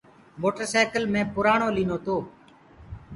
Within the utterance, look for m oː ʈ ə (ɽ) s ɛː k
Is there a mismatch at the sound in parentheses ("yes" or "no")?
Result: yes